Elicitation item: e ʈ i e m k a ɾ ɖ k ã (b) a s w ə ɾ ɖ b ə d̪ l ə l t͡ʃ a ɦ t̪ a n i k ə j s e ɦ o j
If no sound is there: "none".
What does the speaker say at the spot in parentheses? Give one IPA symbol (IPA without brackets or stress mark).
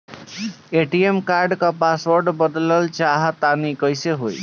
p